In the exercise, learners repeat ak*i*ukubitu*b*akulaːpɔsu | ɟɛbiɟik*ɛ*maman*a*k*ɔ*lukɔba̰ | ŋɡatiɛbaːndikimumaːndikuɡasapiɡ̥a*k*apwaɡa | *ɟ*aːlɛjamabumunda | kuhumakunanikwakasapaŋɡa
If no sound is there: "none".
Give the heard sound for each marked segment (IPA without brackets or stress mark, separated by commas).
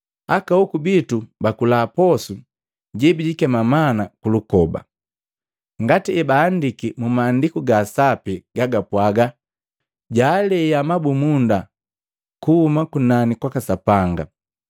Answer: a, b, ɛ, a, u, ɡ, ɟ